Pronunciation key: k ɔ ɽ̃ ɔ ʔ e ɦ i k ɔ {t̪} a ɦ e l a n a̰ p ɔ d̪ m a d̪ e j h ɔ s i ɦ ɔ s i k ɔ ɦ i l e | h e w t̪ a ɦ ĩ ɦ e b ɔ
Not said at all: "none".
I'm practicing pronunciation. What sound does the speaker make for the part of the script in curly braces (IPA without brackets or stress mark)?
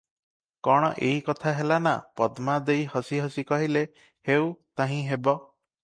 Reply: t̪ʰ